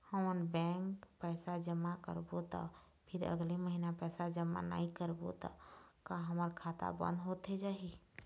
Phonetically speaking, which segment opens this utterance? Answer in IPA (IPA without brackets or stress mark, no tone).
h